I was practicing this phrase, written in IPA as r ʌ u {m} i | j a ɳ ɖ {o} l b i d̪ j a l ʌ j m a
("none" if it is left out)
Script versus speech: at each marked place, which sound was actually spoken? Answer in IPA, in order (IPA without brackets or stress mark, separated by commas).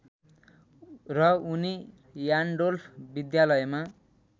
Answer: n, o